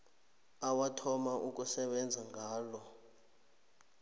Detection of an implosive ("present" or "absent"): present